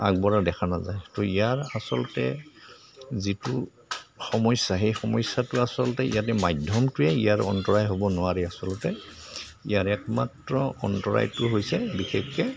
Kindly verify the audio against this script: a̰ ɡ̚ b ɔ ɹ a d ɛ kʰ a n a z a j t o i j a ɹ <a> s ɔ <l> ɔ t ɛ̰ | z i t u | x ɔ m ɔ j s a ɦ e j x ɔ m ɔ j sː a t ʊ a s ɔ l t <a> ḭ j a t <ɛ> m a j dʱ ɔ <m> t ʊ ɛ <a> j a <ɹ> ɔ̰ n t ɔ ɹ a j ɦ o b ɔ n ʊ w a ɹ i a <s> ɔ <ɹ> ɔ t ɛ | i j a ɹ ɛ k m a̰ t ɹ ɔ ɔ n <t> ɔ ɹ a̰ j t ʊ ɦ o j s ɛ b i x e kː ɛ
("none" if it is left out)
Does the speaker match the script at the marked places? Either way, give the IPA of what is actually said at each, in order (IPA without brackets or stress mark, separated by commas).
a, l, ɛ, ɛ, m, i, ɹ, s, l, t